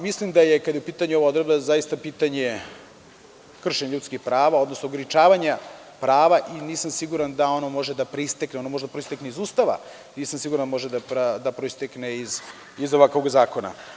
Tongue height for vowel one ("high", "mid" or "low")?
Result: high